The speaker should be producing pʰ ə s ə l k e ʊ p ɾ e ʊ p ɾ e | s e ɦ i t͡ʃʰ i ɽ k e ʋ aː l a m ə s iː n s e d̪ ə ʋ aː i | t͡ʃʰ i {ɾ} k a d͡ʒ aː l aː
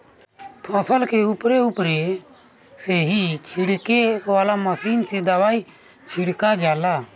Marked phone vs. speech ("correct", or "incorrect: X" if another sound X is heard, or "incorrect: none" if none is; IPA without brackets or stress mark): incorrect: ɽ